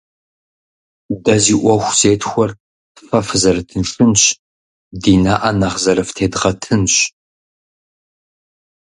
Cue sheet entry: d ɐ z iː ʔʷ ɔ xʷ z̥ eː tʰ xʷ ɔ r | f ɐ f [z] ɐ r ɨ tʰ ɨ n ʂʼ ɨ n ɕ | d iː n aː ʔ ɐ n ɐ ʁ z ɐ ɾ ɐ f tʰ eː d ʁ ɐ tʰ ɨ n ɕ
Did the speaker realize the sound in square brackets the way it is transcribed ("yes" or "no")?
yes